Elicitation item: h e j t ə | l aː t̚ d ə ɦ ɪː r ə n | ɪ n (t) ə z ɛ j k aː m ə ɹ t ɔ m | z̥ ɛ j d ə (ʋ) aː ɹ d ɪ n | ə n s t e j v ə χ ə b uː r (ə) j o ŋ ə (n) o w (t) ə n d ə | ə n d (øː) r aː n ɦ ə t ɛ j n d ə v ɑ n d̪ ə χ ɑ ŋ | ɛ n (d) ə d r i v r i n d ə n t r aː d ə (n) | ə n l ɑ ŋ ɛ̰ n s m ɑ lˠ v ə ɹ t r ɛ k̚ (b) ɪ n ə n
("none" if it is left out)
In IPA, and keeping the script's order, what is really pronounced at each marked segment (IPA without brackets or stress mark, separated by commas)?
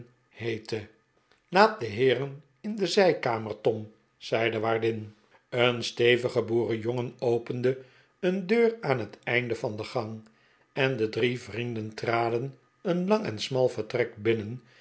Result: d, ʋ, ə, n, p, øː, d, n, b